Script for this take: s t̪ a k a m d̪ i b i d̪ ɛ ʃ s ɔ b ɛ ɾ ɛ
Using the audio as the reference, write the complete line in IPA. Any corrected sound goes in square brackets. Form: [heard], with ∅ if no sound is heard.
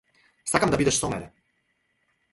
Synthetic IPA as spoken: s t̪ a k a m d̪ [a] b i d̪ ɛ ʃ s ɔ [m] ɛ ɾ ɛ